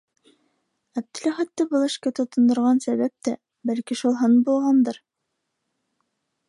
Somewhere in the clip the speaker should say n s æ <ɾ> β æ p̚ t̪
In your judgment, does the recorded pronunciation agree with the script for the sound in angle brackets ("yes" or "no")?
no